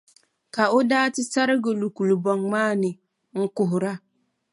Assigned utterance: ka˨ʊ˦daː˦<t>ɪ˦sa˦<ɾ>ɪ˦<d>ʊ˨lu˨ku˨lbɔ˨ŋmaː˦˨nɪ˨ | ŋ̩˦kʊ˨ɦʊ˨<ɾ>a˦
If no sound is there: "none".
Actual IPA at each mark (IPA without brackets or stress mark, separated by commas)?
t, ɾ, ɡ, ɾ